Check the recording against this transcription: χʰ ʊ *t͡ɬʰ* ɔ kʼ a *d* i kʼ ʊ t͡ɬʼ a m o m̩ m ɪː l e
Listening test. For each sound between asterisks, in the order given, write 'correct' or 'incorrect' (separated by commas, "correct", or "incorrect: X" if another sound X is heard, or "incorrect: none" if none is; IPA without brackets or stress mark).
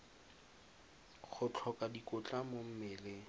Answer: correct, correct